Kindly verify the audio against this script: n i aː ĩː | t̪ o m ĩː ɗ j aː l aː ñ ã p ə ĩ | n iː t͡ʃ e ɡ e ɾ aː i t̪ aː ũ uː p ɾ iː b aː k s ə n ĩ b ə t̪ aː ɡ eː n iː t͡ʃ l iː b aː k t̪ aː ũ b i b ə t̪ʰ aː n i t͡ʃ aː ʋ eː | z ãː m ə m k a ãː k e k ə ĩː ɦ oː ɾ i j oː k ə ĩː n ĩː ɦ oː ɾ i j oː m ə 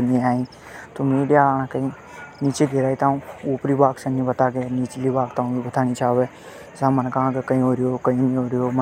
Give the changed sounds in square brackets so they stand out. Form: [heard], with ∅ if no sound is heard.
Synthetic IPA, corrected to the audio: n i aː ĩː | t̪ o m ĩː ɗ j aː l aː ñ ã [k] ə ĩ | n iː t͡ʃ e ɡ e ɾ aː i t̪ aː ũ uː p ɾ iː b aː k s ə n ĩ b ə t̪ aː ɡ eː n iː t͡ʃ l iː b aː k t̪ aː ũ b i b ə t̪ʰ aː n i t͡ʃ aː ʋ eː | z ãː m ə [n] k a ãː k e k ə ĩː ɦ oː ɾ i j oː k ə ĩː n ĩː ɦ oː ɾ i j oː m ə

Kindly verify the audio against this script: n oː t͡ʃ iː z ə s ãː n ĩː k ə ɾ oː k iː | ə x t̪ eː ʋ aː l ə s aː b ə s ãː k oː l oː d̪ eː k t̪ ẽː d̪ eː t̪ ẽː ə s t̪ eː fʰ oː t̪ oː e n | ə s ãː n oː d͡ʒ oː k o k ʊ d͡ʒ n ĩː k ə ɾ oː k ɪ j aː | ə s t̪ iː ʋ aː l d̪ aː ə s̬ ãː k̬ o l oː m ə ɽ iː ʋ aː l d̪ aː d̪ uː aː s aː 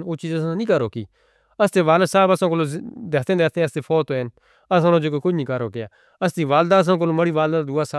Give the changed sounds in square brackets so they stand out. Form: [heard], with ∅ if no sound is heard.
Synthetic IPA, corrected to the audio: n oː t͡ʃ iː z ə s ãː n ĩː k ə ɾ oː k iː | ə [s] t̪ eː ʋ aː l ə s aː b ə s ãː k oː l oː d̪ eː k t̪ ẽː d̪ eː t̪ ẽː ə s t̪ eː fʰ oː t̪ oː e n | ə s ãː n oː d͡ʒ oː k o k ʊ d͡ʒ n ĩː k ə ɾ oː k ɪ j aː | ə s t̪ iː ʋ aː l d̪ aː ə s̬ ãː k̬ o l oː m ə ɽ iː ʋ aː l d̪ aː d̪ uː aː s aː

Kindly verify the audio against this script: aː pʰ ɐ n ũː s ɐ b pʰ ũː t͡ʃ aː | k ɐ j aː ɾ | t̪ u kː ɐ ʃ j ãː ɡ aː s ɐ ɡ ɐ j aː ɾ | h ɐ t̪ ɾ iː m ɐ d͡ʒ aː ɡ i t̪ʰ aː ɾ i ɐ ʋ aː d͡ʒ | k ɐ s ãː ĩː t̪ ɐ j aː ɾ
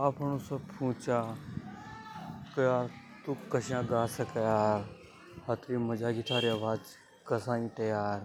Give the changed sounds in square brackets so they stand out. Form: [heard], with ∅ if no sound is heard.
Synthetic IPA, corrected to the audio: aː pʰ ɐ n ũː s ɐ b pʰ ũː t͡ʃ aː | k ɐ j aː ɾ | t̪ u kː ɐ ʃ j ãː ɡ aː s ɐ [k] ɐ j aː ɾ | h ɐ t̪ ɾ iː m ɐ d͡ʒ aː ɡ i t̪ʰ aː ɾ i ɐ ʋ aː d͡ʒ | k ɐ s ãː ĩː t̪ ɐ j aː ɾ

